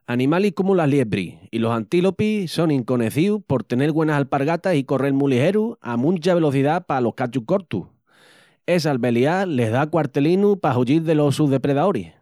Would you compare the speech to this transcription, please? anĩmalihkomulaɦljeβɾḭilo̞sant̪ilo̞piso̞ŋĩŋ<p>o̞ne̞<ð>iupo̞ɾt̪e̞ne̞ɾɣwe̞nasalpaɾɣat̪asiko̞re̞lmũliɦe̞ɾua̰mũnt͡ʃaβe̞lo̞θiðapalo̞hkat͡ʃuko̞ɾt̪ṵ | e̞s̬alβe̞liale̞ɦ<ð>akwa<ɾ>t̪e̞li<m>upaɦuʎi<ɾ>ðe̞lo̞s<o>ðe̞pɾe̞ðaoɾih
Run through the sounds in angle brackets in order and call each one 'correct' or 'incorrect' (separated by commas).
incorrect, incorrect, correct, correct, incorrect, correct, incorrect